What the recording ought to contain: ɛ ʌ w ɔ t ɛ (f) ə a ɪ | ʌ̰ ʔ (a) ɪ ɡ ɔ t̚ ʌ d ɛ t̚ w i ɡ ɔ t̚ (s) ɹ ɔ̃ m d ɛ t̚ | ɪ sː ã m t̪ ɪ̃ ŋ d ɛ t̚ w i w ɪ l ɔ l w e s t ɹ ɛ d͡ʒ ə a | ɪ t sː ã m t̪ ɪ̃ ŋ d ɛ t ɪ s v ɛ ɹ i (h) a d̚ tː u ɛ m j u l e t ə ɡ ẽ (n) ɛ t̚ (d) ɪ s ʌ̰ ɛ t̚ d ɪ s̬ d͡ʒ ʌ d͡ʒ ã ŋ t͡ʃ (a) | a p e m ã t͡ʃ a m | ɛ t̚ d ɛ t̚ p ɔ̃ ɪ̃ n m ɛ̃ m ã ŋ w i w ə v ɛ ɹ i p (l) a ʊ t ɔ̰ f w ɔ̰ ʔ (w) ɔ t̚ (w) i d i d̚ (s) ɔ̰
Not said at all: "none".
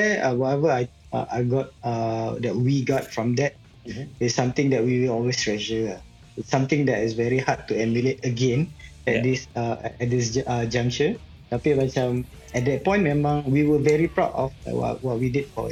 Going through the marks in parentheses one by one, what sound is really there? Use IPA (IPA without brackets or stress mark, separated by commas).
v, a, f, h, n, d, ə, ɹ, w, w, f